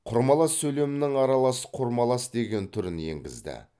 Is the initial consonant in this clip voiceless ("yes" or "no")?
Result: yes